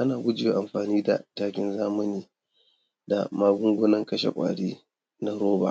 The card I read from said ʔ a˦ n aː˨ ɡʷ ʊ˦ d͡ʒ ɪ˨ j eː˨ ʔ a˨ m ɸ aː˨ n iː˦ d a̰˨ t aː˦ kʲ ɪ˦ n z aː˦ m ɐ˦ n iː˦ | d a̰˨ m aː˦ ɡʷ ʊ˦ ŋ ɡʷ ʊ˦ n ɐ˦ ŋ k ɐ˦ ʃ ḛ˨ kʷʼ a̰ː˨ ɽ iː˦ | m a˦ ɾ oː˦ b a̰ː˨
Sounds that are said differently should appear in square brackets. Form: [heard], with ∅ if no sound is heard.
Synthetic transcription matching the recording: ʔ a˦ n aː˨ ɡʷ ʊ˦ d͡ʒ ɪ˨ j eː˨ ʔ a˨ m ɸ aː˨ n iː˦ d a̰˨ t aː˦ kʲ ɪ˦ n z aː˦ m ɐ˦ n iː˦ | d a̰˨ m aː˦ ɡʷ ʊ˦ ŋ ɡʷ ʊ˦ n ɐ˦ ŋ k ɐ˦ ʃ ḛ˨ kʷʼ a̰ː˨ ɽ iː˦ | [n] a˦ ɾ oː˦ b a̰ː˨